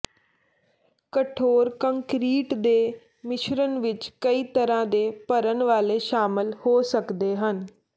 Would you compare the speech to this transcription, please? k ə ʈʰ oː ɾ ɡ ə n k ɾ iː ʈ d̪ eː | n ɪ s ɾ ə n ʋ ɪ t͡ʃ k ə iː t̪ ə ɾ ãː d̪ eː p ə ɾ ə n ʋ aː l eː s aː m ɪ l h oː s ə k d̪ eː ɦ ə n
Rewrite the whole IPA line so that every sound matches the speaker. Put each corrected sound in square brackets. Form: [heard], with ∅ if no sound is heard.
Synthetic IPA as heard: k ə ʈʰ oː ɾ [k] ə [ŋ] k ɾ iː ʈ d̪ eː | [m] ɪ [ʃ] ɾ ə n ʋ ɪ t͡ʃ k ə iː t̪ ə ɾ ãː d̪ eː p ə ɾ ə n ʋ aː l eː [ʃ] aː m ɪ l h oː s ə k d̪ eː ɦ ə n